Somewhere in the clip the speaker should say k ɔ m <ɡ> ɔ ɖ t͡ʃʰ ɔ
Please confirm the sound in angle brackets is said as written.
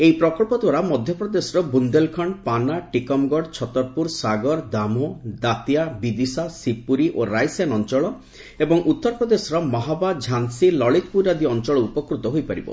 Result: yes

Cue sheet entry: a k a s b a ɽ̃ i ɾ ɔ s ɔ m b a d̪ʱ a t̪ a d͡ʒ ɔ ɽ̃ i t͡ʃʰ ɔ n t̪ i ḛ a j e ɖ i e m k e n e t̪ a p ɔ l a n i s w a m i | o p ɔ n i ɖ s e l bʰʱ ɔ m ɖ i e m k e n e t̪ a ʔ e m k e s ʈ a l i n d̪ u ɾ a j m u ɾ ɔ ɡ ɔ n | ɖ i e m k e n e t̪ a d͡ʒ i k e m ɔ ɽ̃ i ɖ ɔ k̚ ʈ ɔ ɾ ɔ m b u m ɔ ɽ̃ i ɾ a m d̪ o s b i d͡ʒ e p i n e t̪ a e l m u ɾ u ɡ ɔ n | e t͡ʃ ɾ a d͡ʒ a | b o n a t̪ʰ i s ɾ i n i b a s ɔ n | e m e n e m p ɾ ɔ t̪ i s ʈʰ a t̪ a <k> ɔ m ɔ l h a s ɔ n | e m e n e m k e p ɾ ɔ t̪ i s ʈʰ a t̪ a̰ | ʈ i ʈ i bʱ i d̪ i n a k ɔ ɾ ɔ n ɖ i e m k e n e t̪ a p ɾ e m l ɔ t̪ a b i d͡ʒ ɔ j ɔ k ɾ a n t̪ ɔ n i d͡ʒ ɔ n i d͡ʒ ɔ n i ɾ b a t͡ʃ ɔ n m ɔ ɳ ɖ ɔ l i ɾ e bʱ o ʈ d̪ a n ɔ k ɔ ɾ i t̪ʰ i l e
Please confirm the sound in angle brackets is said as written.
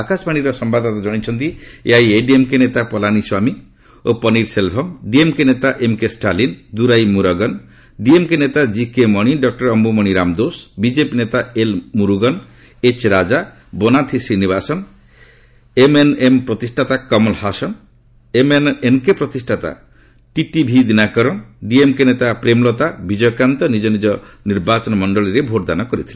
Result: yes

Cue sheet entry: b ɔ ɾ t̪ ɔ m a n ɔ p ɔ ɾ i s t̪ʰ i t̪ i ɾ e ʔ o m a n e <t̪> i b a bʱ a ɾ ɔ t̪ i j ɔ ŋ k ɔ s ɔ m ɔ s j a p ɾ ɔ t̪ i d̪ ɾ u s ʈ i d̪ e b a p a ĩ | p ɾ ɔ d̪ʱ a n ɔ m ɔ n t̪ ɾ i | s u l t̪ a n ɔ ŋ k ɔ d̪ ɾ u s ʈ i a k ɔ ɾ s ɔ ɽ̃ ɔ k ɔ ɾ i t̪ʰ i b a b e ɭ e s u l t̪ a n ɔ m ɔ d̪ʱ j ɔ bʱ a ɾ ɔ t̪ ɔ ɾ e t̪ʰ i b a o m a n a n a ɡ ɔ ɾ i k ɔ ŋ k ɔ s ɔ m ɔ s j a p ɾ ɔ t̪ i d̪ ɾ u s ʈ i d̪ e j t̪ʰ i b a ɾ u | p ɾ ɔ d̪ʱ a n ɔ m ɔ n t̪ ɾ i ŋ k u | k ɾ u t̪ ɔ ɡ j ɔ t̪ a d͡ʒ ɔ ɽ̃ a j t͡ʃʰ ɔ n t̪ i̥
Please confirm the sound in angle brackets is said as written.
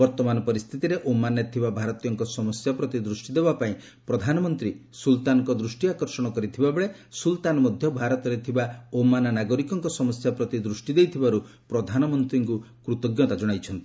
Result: no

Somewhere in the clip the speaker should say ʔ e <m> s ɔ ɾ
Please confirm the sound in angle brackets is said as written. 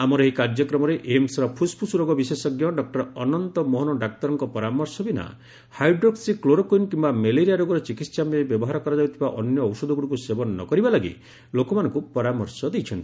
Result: yes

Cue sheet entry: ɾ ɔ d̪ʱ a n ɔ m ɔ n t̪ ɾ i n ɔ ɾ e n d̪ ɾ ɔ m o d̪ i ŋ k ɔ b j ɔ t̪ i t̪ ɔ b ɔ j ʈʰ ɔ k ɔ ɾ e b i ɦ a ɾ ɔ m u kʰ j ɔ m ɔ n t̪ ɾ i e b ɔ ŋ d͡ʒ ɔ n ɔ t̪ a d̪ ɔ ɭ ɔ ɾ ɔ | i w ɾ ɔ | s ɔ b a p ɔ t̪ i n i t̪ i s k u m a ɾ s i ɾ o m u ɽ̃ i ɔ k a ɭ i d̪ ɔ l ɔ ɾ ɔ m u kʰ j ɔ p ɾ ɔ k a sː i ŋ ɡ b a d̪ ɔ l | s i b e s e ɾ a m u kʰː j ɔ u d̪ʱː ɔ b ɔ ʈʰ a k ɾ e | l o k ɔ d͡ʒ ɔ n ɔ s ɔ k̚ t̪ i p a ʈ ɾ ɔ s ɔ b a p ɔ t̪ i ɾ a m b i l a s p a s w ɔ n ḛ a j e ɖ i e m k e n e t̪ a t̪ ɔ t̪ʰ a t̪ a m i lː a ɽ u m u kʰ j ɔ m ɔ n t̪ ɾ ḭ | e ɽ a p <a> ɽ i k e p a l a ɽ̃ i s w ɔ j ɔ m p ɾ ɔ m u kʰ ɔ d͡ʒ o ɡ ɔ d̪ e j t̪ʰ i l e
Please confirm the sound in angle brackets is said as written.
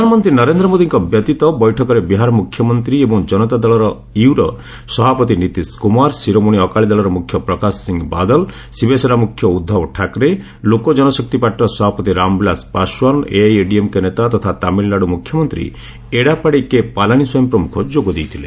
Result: yes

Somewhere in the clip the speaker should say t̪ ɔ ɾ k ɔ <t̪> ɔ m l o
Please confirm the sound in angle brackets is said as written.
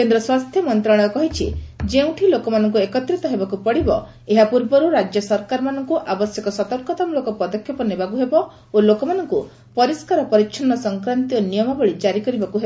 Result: yes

